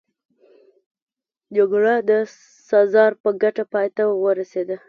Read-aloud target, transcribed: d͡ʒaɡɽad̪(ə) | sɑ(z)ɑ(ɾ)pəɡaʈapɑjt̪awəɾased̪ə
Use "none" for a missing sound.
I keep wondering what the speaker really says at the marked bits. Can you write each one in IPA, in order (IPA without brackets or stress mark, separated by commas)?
ə, z, ɾ